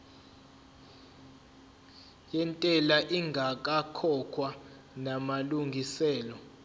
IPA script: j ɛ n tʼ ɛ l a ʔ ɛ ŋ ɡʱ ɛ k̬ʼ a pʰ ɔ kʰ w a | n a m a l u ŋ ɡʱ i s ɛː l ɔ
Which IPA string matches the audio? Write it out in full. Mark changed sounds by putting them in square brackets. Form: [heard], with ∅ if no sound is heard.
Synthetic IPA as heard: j ɛ n tʼ ɛ l a ʔ [i] ŋ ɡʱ [a] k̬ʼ a [kʰ] ɔ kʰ w a | n a m a l u ŋ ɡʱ i s ɛː l ɔ

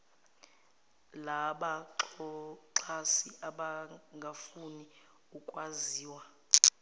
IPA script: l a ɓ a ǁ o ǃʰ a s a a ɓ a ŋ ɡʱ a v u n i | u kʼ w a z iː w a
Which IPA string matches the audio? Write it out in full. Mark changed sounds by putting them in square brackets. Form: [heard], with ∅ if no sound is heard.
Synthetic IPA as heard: l a ɓ a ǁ [ɔ] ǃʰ a s [i] a ɓ a ŋ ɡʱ a [f] u n i | u kʼ w a z iː w a

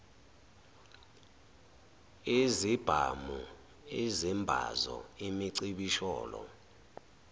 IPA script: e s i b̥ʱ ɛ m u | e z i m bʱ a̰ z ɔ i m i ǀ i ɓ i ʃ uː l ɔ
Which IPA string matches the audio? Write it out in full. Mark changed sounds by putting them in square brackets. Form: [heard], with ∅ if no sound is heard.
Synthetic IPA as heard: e [z] i b̥ʱ [a] m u | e z i m bʱ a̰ z ɔ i m i ǀ i ɓ i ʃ [ɔː] l ɔ

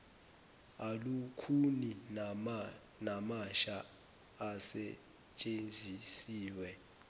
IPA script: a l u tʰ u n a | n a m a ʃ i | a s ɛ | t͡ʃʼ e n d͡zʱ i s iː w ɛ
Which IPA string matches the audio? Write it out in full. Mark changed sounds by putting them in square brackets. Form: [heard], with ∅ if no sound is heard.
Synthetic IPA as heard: a l u [kʰ] u n [i] | n a m a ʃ [a] | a s ɛ | t͡ʃʼ e n d͡zʱ i s iː w ɛ

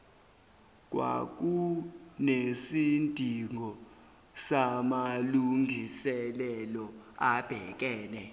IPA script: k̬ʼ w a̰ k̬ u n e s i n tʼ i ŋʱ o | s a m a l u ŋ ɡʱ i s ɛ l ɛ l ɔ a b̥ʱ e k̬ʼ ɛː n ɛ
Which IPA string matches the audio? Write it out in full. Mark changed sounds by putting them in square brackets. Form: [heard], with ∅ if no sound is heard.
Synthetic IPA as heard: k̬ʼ w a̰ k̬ u n e s i n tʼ i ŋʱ [ɔ] | s a m a l u ŋ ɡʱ i s ɛ l ɛ l ɔ a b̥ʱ [ɛ] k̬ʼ ɛː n ɛ

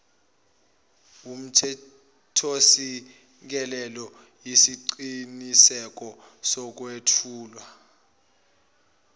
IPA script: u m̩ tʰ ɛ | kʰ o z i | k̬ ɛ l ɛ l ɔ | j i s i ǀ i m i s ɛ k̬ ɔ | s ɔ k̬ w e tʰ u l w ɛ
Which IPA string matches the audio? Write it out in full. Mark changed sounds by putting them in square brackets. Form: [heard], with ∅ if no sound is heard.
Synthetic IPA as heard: u m̩ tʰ ɛ | [tʰ] o [s] i | k̬ ɛ l ɛ l ɔ | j i s i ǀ i [n] i s ɛ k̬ ɔ | s ɔ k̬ w e tʰ [uː] l w [a]

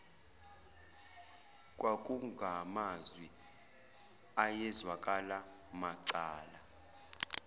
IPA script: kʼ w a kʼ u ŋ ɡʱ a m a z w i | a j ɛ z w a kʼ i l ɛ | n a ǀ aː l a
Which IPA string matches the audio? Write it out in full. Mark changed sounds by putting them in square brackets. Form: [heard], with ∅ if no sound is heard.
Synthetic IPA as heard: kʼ w a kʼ u ŋ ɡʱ a m a z w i | a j ɛ z w a kʼ [a] l [a] | [m] a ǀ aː l a

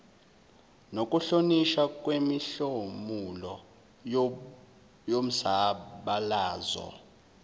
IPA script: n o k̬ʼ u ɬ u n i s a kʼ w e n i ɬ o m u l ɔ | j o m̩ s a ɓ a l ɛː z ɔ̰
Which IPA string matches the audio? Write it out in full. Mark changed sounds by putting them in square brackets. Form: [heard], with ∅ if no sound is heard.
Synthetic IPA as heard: n o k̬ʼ u ɬ [o] n i [ʃ] a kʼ w e [m] i ɬ o m u l ɔ | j o m̩ s a ɓ a l [aː] z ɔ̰

